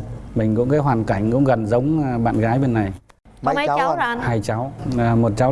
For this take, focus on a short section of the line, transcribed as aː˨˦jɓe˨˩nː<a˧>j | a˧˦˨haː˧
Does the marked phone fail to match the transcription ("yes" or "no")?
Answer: yes